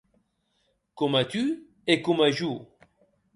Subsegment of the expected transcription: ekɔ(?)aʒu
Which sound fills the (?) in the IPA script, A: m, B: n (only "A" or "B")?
A